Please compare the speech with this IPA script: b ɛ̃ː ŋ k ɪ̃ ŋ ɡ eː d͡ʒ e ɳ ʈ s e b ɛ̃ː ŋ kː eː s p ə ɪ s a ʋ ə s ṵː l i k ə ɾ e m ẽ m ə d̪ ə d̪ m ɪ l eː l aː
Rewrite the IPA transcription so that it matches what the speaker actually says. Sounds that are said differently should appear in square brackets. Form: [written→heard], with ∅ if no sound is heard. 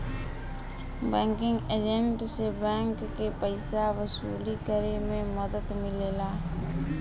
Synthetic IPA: b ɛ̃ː ŋ k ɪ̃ ŋ ɡ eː d͡ʒ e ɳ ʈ s e b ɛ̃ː ŋ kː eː [s→∅] p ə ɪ s a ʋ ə s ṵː l i k ə ɾ e m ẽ m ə d̪ ə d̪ m ɪ l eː l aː